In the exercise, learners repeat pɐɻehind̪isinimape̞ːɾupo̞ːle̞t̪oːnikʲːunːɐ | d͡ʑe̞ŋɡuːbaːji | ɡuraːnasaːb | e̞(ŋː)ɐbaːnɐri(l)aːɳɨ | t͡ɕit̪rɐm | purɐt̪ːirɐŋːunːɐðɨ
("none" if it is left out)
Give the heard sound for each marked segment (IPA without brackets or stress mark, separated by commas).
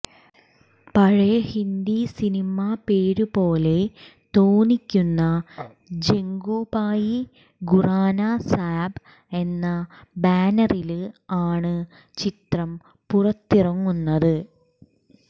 nː, l